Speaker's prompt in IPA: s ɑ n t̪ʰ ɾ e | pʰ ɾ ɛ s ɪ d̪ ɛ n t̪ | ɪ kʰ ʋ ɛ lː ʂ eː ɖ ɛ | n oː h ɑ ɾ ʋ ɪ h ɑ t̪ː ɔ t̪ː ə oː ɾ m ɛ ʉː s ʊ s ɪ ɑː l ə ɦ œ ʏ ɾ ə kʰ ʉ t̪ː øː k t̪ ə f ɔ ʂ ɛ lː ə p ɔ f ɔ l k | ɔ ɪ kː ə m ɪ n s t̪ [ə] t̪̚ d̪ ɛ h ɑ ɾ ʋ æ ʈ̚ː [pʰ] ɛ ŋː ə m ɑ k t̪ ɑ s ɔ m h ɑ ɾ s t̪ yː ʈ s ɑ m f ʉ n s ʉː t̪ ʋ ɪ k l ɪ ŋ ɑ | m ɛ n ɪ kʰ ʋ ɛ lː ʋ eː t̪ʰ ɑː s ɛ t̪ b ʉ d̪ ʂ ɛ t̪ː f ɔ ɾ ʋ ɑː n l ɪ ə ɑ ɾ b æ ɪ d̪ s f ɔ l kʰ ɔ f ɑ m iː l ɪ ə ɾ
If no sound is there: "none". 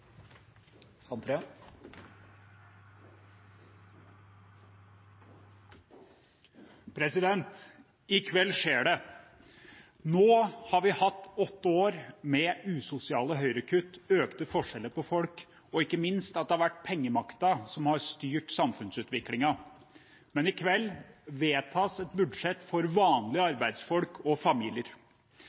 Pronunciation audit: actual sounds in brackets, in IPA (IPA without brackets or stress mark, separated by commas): ɑ, pʰ